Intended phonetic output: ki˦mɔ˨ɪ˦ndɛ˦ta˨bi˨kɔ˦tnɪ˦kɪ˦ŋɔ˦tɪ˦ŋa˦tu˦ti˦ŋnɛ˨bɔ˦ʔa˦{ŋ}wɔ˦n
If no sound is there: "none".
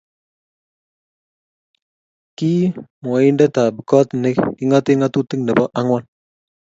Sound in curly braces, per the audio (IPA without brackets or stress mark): ŋ